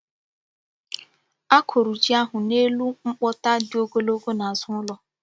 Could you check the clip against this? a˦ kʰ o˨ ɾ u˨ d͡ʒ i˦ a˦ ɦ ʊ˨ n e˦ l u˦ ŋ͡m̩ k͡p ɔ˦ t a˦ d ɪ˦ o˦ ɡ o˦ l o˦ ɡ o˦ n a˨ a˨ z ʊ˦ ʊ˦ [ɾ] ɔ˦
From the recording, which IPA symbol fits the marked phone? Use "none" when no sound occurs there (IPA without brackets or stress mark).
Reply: l